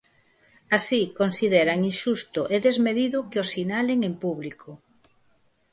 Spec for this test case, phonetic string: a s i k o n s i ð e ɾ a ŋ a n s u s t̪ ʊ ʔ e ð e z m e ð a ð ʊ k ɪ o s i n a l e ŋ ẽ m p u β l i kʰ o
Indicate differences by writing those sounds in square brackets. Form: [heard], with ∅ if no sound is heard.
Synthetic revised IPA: a s i k o n s i ð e ɾ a ŋ [i] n [ʃ] u s t̪ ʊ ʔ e ð e z m e ð [i] ð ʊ k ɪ o s i n a l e ŋ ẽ m p u β l i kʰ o